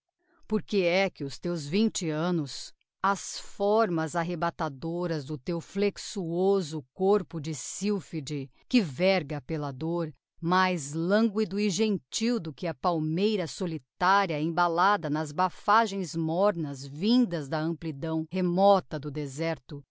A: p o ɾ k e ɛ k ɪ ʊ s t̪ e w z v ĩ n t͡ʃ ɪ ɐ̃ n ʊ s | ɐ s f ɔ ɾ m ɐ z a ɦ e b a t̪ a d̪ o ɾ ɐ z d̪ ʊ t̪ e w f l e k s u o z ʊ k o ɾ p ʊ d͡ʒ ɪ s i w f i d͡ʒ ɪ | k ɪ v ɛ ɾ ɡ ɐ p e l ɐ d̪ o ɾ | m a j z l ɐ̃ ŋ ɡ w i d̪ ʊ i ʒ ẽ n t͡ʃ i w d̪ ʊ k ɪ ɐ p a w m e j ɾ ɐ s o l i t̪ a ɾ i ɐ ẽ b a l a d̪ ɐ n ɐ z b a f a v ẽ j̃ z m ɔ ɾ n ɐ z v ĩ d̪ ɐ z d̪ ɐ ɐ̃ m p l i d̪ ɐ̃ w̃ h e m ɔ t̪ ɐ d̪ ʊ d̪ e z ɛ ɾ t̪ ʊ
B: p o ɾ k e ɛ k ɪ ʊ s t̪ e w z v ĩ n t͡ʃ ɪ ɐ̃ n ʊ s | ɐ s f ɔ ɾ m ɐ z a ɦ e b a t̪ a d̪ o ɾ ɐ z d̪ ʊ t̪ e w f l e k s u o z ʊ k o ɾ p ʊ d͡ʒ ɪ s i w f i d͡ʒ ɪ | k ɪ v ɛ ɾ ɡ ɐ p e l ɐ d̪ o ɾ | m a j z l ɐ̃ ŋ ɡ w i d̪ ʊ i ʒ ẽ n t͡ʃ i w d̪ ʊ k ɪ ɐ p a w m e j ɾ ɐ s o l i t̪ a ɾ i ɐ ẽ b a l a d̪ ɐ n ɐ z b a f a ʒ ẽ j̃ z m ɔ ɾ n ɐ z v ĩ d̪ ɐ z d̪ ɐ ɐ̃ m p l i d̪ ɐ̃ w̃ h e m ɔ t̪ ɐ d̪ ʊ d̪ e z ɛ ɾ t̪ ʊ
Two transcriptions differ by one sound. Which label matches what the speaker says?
B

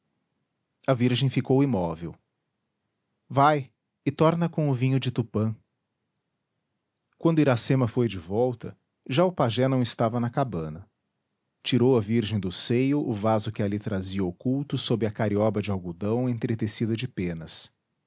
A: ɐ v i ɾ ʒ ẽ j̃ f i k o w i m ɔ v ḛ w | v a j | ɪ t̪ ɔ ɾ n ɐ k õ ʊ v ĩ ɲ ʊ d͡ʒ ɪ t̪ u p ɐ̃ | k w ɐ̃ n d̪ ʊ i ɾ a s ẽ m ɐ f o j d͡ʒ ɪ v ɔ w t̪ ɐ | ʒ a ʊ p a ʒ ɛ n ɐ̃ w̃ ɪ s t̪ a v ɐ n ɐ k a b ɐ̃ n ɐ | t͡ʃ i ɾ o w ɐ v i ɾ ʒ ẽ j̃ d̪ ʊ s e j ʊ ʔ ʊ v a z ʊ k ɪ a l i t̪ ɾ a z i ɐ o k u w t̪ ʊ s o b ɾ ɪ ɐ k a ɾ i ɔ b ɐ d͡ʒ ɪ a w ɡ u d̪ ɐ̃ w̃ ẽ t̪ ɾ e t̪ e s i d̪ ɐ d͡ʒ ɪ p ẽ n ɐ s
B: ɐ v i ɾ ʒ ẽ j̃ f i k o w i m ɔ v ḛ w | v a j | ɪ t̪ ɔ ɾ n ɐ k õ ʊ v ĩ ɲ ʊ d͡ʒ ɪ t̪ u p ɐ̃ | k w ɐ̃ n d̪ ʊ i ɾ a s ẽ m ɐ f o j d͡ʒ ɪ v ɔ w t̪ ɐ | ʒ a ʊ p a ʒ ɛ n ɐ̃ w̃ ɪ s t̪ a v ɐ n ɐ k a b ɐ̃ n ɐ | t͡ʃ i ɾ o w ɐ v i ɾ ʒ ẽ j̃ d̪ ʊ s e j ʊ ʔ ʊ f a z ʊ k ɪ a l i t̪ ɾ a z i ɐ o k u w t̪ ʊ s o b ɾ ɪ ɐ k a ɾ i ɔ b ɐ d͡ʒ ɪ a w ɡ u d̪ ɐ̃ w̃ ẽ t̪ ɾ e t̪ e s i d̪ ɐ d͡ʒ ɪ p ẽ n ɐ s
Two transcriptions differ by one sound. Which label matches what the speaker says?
A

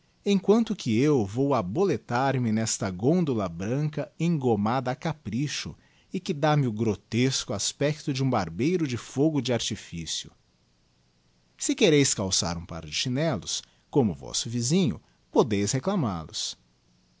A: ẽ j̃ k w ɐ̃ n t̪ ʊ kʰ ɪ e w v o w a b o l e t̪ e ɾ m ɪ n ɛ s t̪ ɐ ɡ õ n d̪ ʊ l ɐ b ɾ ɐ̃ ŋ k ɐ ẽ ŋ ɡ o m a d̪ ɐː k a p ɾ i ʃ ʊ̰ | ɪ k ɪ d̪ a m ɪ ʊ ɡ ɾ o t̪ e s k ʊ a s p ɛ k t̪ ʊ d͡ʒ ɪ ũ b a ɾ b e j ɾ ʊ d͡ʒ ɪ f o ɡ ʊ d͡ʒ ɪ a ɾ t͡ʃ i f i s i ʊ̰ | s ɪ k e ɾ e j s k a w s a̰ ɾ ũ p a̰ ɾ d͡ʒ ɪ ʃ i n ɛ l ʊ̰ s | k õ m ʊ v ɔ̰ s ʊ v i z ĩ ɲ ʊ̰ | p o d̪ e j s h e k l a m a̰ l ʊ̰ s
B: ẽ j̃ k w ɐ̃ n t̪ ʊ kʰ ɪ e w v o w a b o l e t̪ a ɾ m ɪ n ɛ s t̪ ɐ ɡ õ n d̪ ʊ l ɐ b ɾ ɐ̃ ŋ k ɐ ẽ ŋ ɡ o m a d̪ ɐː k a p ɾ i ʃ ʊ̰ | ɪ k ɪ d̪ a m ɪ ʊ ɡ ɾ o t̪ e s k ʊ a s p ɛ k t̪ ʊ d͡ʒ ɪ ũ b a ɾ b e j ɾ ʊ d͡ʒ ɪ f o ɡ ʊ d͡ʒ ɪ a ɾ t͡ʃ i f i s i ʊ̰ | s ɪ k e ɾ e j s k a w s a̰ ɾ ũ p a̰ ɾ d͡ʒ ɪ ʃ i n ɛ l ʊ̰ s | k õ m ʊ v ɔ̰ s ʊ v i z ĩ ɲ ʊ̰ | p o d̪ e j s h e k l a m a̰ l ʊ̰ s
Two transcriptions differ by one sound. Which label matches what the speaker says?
B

